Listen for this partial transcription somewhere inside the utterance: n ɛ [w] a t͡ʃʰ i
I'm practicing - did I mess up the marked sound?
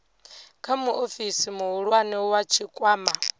no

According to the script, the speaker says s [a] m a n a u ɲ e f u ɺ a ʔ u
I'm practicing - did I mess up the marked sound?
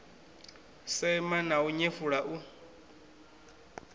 yes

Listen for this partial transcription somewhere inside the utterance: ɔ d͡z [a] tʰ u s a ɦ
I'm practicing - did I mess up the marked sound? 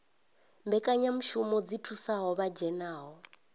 yes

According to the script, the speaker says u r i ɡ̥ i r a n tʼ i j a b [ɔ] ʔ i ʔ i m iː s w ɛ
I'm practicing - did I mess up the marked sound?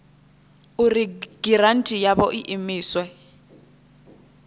no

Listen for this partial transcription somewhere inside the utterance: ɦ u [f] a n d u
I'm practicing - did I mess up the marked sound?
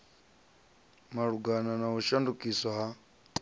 yes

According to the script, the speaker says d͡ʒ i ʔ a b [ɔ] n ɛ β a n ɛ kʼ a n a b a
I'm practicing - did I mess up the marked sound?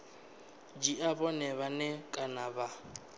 no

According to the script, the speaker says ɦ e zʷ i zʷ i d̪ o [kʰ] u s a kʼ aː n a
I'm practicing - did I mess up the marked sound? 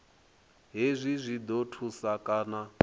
yes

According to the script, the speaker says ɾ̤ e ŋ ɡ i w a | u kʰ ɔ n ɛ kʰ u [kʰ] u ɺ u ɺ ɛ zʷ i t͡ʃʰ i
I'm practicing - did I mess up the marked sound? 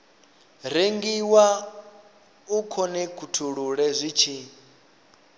yes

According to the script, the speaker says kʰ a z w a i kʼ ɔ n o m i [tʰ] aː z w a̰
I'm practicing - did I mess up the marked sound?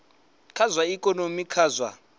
yes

